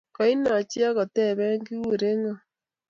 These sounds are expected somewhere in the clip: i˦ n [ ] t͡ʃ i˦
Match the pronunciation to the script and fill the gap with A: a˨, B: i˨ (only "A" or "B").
A